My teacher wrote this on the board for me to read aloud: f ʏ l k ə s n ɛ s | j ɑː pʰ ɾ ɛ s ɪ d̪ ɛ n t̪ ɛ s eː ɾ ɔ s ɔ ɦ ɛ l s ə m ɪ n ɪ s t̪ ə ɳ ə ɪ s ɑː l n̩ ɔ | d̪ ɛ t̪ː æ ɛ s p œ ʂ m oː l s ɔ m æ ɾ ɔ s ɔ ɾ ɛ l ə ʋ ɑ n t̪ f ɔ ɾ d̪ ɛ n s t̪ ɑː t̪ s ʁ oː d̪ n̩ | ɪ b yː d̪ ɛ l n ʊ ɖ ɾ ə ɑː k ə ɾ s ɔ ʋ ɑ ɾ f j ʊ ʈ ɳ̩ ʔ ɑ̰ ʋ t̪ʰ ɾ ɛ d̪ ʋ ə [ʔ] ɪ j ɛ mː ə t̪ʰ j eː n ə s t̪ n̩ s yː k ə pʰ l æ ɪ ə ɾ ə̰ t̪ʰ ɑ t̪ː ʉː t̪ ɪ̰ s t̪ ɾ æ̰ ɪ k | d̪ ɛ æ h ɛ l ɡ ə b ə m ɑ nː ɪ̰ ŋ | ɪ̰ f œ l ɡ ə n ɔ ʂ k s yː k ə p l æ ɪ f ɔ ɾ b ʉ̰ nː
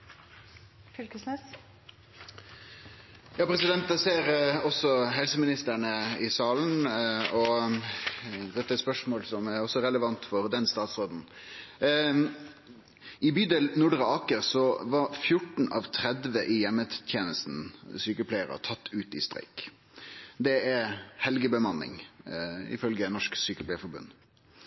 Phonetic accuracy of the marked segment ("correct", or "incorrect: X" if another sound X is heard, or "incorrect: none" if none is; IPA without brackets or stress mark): correct